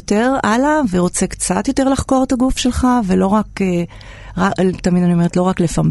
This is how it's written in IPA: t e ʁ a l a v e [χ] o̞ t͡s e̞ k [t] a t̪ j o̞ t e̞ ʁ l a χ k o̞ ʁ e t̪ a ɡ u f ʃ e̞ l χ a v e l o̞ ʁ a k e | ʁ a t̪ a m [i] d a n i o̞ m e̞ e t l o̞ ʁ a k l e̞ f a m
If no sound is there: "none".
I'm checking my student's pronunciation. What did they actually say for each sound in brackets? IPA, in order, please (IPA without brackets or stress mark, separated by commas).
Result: ʁ, t͡s, i